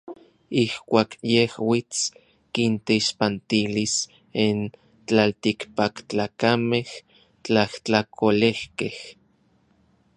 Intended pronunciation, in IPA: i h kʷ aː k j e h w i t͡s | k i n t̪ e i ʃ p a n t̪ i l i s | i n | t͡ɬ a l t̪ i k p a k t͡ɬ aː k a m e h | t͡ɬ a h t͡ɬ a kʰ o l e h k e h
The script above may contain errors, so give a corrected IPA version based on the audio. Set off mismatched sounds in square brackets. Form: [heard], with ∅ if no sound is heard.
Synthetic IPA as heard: i h kʷ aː k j e h w i t͡s | k i n t̪ e i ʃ p a n t̪ i l i s | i n | t͡ɬ a l t̪ i k p a k t͡ɬ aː k a m e h | t͡ɬ a h t͡ɬ a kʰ o l e h k e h